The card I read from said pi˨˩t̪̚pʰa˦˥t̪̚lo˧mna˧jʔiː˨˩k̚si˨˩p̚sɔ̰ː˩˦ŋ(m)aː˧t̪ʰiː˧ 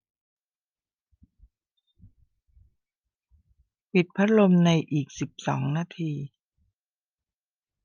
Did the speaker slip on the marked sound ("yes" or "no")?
yes